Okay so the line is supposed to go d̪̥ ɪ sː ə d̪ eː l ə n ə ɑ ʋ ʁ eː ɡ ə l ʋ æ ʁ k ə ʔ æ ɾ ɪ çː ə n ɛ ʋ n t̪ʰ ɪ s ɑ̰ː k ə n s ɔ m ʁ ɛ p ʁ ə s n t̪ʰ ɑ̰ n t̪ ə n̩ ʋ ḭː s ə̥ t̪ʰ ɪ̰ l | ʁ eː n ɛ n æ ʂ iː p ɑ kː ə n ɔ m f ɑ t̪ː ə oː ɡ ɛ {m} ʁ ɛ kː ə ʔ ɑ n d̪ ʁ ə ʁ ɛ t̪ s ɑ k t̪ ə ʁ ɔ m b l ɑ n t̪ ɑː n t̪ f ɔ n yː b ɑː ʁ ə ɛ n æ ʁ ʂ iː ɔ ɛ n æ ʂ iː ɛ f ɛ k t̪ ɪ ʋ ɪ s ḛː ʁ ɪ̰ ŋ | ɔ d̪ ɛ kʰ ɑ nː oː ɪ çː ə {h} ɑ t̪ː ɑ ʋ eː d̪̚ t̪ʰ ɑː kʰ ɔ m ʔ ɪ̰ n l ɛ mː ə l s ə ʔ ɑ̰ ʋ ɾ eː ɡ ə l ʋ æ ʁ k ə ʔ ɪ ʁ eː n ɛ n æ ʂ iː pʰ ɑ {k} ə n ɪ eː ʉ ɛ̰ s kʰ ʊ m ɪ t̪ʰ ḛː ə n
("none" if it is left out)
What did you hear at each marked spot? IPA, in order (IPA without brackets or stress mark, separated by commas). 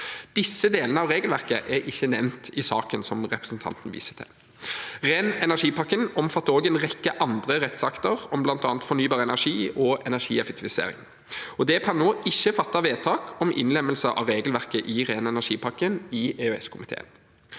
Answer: n, f, k